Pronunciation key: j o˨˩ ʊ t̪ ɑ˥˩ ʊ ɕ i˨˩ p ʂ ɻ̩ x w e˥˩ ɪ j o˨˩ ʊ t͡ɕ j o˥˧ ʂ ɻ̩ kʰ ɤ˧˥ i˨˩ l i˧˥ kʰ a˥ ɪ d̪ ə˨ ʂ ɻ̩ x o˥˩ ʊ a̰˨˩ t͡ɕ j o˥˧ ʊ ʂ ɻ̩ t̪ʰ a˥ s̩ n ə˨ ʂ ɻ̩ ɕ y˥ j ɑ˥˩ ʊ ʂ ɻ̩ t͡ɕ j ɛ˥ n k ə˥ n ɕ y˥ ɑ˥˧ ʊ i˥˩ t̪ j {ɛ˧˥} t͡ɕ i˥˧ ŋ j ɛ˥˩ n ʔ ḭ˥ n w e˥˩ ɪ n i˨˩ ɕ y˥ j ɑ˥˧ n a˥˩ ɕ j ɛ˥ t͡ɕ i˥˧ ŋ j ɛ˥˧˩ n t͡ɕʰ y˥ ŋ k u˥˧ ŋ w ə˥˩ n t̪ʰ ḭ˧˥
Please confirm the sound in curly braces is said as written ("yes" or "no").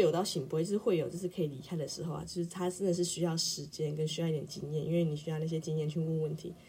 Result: no